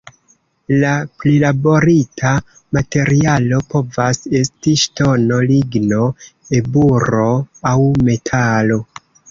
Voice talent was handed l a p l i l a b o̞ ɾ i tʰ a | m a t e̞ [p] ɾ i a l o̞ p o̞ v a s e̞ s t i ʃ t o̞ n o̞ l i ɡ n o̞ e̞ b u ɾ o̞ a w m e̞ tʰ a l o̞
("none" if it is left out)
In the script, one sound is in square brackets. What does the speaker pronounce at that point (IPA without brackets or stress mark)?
none